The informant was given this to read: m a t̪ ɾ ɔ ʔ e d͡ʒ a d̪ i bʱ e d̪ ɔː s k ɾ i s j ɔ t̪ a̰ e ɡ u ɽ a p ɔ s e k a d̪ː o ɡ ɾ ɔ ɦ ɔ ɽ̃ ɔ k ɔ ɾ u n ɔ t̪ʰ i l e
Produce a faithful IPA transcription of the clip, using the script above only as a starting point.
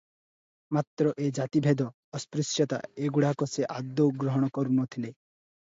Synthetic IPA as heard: m a t̪ ɾ ɔ ʔ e d͡ʒ a t̪ i bʱ e d̪ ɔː s p ɾ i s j ɔ t̪ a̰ e ɡ u ɽ a k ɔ s e ʔ a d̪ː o ɡ ɾ ɔ ɦ ɔ ɽ̃ ɔ k ɔ ɾ u n ɔ t̪ʰ i l e